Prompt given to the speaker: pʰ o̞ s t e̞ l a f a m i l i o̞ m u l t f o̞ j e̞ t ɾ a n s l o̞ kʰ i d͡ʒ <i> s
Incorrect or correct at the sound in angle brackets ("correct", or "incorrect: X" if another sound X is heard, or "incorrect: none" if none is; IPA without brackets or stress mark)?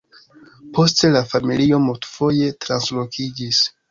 correct